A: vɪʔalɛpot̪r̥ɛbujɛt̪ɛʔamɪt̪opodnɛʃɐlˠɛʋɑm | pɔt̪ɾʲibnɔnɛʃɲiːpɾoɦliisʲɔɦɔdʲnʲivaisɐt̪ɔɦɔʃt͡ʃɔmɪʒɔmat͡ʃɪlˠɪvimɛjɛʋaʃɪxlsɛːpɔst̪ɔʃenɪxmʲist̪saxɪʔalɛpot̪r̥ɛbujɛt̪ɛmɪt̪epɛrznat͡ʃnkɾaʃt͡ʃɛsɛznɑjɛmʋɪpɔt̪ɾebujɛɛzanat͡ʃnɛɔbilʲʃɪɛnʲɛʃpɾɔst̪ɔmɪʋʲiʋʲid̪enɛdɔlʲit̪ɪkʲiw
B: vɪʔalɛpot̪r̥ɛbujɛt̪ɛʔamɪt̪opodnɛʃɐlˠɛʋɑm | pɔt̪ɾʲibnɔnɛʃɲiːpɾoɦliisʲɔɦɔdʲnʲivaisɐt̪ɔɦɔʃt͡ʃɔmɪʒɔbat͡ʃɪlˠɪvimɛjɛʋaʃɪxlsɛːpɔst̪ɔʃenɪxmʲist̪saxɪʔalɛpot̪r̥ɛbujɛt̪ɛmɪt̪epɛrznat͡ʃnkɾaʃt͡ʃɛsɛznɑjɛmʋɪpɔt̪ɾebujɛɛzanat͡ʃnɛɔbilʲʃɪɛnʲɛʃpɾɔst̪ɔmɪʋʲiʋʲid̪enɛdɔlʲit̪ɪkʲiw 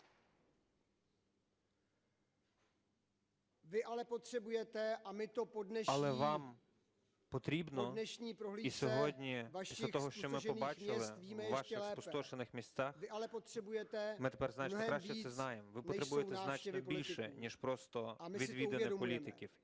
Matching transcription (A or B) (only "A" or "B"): B